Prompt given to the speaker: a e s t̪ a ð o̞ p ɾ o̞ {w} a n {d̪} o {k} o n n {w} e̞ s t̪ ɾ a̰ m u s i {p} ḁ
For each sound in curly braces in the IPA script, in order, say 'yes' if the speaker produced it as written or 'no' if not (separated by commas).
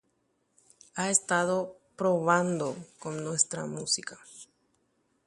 no, yes, yes, yes, no